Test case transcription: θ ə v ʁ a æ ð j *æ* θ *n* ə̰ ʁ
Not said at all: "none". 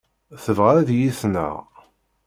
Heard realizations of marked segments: i, n

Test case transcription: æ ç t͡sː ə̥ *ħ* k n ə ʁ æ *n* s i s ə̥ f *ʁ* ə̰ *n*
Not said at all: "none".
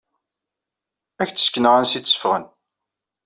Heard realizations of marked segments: s, n, ʁ, n

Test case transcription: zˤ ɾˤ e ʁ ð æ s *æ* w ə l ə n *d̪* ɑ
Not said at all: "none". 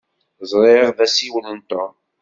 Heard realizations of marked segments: i, t̪

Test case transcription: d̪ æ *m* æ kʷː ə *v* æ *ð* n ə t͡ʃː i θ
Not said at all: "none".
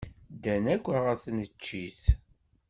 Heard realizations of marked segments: n, ʁ, θ

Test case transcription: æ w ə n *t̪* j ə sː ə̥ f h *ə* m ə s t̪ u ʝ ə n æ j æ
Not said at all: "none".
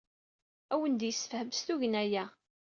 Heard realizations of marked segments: d̪, ə

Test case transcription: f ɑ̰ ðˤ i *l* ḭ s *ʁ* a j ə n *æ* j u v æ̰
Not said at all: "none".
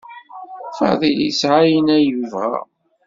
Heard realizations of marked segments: l, ʕ, æ

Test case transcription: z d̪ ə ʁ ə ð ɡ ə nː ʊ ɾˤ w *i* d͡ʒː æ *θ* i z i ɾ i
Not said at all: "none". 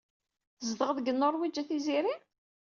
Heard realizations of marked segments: i, θ

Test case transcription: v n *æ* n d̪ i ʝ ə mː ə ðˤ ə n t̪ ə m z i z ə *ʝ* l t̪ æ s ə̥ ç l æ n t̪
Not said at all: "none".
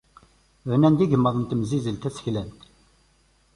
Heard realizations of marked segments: æ, none

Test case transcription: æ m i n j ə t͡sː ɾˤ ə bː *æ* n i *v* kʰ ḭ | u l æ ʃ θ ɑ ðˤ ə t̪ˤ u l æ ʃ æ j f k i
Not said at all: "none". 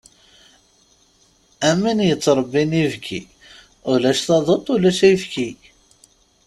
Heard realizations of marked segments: i, v

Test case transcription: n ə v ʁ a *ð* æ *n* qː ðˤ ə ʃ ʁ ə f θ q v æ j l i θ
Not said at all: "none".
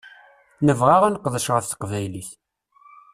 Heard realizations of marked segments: ʁ, n

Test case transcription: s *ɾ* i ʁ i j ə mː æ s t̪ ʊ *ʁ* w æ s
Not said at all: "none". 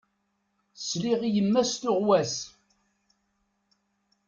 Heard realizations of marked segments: l, ʁ

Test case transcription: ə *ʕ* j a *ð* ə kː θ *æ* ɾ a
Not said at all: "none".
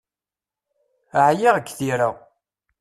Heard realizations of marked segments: ʕ, ʁ, i

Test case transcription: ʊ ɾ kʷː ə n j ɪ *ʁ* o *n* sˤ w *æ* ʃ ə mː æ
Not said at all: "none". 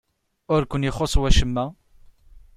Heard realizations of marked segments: χ, none, æ

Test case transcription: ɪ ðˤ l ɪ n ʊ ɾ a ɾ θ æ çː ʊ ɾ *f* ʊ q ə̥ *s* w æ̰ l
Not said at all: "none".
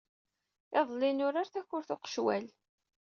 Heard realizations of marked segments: θ, ʃ

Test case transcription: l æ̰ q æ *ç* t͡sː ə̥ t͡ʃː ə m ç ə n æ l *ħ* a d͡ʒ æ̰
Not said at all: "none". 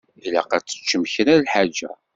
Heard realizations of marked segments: none, ħ

